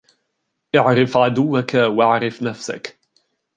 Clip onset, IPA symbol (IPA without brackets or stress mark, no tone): ʔ